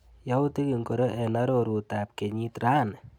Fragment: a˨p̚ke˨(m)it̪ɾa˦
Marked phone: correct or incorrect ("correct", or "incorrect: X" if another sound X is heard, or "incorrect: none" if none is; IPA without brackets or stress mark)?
incorrect: ɲ